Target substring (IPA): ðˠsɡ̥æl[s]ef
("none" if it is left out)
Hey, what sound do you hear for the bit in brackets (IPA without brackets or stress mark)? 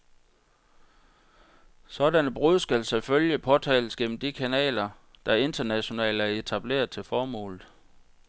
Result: s